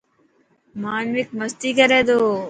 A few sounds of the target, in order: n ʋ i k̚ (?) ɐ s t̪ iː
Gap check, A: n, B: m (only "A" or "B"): B